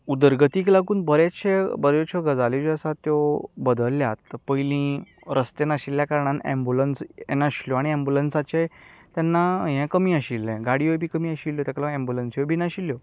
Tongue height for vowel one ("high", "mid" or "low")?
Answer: high